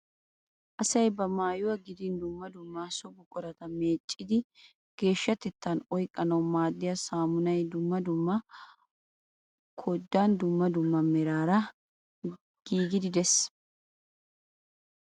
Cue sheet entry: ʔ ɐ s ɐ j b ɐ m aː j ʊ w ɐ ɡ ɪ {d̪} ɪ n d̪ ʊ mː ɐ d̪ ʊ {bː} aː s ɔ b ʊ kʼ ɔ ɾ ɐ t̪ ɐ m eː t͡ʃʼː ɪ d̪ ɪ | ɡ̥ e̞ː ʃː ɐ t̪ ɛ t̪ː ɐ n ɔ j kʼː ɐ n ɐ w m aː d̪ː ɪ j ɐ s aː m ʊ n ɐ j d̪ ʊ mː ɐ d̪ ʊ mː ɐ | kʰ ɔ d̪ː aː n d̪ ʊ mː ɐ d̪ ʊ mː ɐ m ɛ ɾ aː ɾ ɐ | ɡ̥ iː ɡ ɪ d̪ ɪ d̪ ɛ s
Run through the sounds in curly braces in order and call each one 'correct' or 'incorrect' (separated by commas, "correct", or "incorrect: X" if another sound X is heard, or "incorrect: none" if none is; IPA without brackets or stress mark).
correct, incorrect: mː